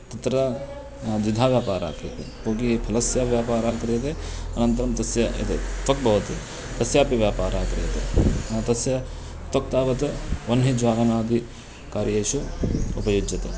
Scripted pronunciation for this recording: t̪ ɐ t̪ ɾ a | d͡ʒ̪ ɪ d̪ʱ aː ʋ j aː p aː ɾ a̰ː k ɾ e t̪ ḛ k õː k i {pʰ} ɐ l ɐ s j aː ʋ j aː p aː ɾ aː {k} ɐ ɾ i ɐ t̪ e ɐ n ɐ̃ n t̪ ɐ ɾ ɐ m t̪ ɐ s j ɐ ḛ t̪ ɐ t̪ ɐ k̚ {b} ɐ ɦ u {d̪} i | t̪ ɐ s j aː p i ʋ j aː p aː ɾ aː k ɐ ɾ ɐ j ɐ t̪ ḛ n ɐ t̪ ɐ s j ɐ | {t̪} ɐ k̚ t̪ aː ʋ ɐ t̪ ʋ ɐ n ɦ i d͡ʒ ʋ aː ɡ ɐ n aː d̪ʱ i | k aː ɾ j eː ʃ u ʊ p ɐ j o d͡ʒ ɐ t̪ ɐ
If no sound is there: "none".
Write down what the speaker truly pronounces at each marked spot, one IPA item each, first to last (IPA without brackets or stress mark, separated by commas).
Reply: pʰ, k, b, t̪, t̪